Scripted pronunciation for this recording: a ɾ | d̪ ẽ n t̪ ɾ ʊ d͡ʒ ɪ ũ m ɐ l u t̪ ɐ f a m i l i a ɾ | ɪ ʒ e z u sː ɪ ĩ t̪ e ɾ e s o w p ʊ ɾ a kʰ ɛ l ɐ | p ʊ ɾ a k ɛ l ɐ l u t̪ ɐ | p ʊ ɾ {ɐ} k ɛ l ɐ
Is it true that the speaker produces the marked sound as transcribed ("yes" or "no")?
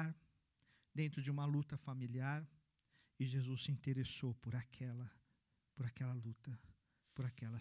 no